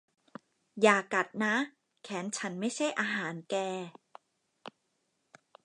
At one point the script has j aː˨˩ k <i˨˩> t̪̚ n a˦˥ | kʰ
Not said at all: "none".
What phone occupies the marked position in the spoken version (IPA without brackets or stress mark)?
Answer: a˨˩